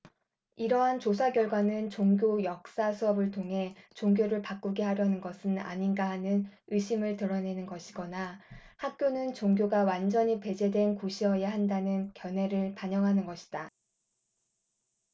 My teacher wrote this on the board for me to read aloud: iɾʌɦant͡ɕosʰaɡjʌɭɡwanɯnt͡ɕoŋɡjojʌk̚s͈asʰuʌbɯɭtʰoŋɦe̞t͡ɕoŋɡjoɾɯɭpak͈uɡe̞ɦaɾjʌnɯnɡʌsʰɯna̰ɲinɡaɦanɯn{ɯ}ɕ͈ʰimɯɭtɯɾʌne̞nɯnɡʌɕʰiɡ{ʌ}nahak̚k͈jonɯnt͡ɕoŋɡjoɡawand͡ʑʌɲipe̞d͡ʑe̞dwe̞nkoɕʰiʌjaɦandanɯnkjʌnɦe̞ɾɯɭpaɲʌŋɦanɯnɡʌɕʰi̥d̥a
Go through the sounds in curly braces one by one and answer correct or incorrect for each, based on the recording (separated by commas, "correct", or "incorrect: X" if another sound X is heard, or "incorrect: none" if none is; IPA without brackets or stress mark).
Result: correct, correct